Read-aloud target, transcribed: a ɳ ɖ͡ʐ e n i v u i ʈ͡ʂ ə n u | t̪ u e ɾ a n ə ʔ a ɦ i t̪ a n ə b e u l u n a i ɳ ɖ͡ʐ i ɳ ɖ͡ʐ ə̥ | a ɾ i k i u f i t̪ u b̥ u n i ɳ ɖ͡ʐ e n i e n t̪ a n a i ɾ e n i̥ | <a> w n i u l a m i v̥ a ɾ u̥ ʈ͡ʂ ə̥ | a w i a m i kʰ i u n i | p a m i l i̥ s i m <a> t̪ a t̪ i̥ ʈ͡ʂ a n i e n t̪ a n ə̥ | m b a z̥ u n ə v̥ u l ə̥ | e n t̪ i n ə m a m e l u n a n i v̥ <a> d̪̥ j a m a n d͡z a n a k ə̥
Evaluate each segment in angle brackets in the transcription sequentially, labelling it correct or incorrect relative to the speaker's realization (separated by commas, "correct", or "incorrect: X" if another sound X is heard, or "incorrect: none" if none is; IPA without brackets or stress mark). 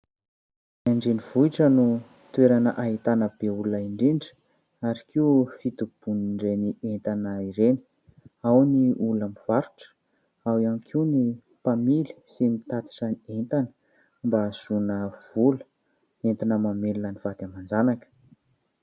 correct, incorrect: i, correct